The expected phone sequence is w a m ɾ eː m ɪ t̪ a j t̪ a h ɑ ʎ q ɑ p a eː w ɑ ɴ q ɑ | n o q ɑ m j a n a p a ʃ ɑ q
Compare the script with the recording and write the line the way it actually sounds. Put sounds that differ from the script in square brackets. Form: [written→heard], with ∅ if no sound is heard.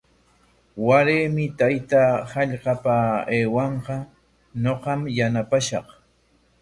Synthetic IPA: w a [m→∅] ɾ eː m ɪ t̪ a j t̪ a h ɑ ʎ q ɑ p a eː w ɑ ɴ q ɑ | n o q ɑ m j a n a p a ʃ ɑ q

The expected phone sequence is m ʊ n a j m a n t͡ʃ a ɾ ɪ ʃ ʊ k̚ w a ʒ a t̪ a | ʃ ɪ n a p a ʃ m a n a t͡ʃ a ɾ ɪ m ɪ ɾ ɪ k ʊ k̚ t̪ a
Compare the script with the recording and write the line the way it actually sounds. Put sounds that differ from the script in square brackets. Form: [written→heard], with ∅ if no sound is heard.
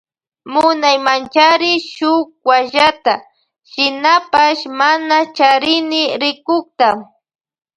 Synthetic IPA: m ʊ n a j m a n t͡ʃ a ɾ ɪ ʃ ʊ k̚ w a ʒ a t̪ a | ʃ ɪ n a p a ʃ m a n a t͡ʃ a ɾ ɪ [m→n] ɪ ɾ ɪ k ʊ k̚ t̪ a

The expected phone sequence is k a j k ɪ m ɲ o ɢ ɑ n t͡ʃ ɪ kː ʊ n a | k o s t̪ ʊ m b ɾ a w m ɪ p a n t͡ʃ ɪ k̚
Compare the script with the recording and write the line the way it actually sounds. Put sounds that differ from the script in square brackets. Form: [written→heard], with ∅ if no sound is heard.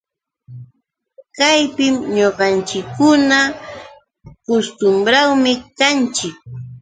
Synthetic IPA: k a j [k→p] ɪ m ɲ o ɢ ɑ n t͡ʃ ɪ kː ʊ n a | k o s t̪ ʊ m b ɾ a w m ɪ [p→k] a n t͡ʃ ɪ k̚

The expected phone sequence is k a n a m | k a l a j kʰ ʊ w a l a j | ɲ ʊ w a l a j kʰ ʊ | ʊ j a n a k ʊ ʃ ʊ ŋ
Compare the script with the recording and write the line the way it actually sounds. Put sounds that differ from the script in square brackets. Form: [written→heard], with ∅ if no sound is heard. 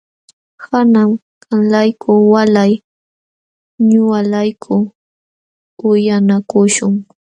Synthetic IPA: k a n a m | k a l a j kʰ ʊ w a l a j | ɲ ʊ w a l a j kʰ ʊ | ʊ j a n a k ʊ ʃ ʊ ŋ

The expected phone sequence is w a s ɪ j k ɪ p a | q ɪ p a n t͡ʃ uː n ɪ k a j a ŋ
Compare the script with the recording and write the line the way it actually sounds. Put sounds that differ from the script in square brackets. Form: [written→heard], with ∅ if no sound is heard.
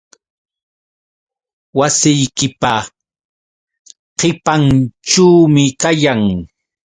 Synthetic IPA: w a s ɪ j k ɪ p a | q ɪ p a n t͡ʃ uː [n→m] ɪ k a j a ŋ

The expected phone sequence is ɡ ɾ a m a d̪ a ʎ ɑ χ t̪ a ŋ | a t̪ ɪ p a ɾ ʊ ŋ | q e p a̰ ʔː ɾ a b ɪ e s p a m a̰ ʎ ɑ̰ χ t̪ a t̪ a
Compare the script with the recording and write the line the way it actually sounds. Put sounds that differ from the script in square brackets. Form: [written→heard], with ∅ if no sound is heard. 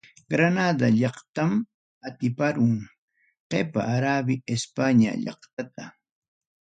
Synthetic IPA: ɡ ɾ a [m→n] a d̪ a ʎ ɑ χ t̪ a [ŋ→m] | a t̪ ɪ p a ɾ ʊ ŋ | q e p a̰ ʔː ɾ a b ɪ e s p a [m→ɲ] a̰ ʎ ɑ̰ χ t̪ a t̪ a

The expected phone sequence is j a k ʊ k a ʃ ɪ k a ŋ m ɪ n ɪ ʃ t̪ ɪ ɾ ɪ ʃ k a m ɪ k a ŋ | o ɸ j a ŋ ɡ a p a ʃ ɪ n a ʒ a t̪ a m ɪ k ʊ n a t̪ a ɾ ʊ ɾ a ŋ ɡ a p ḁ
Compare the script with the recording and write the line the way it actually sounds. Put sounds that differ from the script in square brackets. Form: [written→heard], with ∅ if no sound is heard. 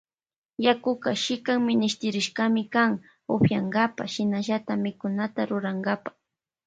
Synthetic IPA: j a k ʊ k a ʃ ɪ k a ŋ m ɪ n ɪ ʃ t̪ ɪ ɾ ɪ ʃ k a m ɪ k a ŋ | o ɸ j a ŋ ɡ a p a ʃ ɪ n a ʒ a t̪ a m ɪ k ʊ n a t̪ a ɾ ʊ ɾ a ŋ ɡ a p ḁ

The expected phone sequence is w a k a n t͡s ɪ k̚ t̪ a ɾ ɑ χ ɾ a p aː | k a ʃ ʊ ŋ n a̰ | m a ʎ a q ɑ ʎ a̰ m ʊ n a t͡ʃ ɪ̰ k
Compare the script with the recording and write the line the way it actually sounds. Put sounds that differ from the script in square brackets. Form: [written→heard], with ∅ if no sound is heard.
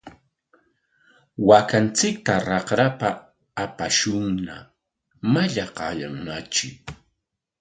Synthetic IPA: w a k a n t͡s ɪ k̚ t̪ a ɾ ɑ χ ɾ a p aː | [k→p] a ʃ ʊ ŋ n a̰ | m a ʎ a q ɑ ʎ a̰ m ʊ n a t͡ʃ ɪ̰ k

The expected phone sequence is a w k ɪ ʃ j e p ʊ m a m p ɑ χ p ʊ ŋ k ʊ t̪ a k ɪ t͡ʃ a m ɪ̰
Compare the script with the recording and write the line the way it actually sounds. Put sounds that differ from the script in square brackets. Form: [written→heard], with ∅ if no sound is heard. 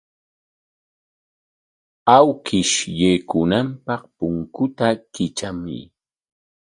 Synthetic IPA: a w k ɪ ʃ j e [p→k] ʊ [m→n] a m p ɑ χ p ʊ ŋ k ʊ t̪ a k ɪ t͡ʃ a m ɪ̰

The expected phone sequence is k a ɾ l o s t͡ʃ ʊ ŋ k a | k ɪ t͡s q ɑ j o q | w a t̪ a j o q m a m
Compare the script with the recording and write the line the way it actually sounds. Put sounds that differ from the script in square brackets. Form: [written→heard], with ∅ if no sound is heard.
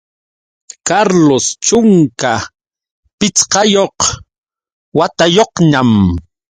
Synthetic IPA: k a ɾ l o s t͡ʃ ʊ ŋ k a | [k→p] ɪ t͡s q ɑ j o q | w a t̪ a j o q [m→ɲ] a m

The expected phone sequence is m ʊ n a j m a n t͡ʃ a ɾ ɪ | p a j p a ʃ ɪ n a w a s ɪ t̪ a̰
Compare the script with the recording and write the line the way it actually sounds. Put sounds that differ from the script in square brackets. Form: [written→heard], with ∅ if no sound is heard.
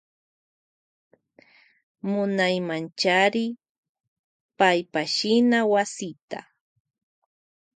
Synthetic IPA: m ʊ n a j m a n t͡ʃ a ɾ ɪ | p a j p a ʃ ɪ n a w a s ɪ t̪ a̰

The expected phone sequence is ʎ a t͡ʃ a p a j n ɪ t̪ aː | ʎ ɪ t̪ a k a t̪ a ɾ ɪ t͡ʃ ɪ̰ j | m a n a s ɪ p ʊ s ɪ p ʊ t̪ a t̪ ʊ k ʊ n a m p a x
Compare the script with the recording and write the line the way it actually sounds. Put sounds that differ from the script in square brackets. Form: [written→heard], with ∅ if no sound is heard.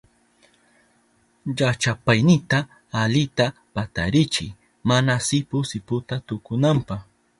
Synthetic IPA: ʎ a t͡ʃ a p a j n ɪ t̪ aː | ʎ ɪ t̪ a [k→p] a t̪ a ɾ ɪ t͡ʃ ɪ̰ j | m a n a s ɪ p ʊ s ɪ p ʊ t̪ a t̪ ʊ k ʊ n a m p a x

